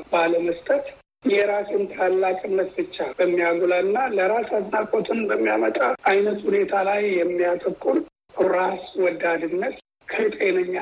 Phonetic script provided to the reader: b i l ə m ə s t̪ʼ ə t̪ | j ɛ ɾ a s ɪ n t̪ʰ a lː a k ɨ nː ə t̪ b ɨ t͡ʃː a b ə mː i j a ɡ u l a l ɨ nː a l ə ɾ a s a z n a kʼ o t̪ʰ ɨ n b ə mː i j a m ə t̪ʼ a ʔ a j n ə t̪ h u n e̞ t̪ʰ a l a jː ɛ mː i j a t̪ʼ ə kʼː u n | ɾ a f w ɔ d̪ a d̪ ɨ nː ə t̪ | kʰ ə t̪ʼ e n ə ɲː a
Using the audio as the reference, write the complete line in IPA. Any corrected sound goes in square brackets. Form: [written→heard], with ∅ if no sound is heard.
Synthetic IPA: b [i→a] l ə m ə s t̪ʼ ə t̪ | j ɛ ɾ a s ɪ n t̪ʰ a lː a [k→kʼ] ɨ nː ə t̪ b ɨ t͡ʃː a b ə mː i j a ɡ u l a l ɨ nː a l ə ɾ a s a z n a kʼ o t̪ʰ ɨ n b ə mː i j a m ə t̪ʼ a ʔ a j n ə t̪ h u n e̞ t̪ʰ a l a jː ɛ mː i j a t̪ʼ ə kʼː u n | ɾ a [f→s] w ɔ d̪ a d̪ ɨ nː ə t̪ | kʰ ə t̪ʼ e n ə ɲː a